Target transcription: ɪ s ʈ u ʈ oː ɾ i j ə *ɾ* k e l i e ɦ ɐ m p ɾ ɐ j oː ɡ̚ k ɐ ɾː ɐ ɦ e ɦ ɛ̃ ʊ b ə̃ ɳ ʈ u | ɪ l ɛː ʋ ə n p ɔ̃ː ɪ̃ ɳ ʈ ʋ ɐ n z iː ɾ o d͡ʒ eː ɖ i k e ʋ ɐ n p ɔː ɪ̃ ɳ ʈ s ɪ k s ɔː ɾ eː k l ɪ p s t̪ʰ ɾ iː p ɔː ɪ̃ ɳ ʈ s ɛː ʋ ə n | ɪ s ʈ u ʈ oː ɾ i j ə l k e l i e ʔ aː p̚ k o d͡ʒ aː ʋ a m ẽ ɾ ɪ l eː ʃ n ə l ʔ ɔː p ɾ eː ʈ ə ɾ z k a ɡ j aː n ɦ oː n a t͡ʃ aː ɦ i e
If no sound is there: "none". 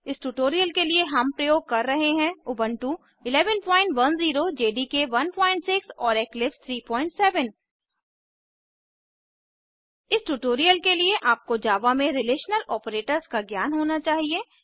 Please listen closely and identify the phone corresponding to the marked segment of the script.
l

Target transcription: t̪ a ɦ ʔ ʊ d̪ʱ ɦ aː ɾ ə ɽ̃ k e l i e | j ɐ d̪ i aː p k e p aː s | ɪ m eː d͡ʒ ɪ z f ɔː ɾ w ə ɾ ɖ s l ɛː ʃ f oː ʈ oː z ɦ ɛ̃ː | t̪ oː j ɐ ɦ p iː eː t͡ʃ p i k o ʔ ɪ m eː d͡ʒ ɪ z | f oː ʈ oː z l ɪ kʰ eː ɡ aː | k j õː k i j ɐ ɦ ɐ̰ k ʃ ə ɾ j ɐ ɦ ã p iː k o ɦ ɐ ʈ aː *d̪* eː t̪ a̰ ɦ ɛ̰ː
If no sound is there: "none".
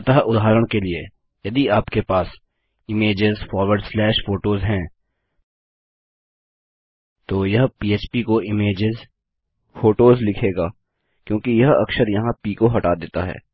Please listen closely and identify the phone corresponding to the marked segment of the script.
d̪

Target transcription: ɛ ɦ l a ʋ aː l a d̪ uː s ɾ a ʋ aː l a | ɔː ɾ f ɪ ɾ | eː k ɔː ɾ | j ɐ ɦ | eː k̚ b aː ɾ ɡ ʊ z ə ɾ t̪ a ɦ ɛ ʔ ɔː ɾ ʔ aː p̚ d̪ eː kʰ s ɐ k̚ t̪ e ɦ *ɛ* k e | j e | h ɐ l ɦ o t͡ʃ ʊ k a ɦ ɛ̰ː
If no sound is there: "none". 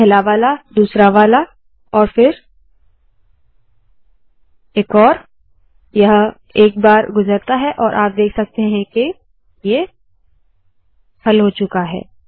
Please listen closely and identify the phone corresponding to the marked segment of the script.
ɛ̃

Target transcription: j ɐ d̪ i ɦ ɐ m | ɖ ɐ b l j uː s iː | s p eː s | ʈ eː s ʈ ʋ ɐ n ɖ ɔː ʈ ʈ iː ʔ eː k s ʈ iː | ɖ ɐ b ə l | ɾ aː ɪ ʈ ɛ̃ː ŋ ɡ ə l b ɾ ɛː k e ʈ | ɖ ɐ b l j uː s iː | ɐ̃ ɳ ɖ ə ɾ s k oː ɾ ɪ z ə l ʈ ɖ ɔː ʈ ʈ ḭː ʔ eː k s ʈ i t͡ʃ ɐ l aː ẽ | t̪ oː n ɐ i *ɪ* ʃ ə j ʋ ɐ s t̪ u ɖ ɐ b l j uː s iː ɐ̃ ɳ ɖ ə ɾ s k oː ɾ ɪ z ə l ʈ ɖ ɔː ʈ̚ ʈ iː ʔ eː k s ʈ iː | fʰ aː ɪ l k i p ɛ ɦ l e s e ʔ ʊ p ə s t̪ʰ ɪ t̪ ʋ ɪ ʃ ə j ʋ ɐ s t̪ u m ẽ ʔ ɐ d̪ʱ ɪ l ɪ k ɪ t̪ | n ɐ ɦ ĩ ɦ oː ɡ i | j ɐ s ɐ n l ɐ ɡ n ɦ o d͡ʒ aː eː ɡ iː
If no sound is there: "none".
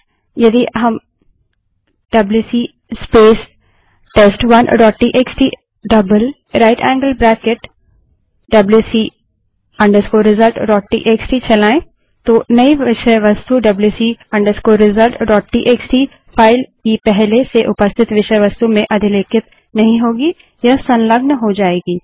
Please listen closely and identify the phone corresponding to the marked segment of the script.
ɪ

